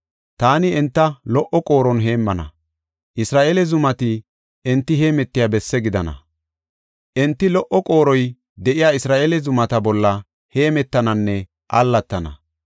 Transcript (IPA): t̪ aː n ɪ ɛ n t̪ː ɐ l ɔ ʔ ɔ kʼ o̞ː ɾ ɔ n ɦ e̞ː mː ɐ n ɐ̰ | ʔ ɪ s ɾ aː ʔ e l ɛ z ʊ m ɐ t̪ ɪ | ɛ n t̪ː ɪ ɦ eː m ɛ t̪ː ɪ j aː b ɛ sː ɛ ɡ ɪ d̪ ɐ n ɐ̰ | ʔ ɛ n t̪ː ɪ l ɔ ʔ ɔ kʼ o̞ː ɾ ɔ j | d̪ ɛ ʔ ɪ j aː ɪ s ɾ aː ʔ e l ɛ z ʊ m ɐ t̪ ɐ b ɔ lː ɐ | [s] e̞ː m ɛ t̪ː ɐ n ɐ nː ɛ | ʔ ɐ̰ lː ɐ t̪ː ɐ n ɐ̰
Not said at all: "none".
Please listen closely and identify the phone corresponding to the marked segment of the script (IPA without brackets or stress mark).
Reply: h